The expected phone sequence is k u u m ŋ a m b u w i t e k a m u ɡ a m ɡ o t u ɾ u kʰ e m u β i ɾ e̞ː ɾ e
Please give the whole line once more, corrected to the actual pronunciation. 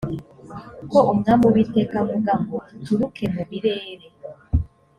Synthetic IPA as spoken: k o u m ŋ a m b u w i t e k a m u ɡ a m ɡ o t u ɾ u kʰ e m u β i ɾ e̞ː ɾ e